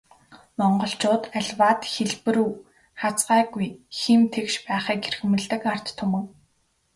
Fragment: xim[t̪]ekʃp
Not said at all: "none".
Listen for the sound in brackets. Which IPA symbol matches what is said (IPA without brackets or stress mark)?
t̪ʰ